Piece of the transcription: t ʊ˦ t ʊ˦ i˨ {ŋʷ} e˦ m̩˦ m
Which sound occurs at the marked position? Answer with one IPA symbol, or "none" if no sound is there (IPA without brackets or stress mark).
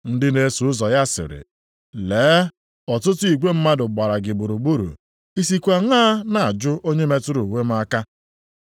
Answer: ɡʷ